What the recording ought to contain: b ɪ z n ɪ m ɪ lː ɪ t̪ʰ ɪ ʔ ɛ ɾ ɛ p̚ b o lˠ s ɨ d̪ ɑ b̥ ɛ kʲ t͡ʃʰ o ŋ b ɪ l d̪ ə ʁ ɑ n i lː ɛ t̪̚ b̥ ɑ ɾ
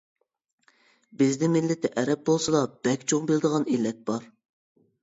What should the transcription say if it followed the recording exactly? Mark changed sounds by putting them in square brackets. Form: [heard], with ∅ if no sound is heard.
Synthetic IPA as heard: b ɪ z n ɪ m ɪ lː ɪ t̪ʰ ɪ ʔ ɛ ɾ ɛ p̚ b o lˠ s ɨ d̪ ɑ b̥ ɛ kʲ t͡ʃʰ o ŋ b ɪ l d̪ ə ʁ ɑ n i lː ɛ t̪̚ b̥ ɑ ɾ